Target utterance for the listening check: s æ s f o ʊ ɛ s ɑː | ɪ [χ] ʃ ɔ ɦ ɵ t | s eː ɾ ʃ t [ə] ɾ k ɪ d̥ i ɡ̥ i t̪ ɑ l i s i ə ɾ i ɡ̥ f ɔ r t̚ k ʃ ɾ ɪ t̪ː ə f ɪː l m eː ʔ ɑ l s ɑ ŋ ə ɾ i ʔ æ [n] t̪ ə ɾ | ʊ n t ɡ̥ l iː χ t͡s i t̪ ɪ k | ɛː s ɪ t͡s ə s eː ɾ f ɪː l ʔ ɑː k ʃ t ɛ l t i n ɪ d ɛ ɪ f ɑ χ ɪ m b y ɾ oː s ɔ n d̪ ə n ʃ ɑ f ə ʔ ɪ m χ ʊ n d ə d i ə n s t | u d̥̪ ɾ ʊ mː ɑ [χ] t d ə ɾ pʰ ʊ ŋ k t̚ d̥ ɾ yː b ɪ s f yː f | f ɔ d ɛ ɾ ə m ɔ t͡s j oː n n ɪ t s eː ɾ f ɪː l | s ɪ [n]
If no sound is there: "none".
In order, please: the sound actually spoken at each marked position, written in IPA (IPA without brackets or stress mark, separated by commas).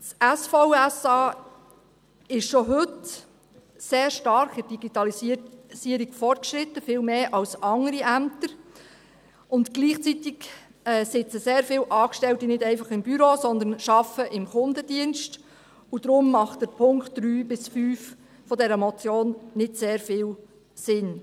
ʃ, ɑ, m, χ, n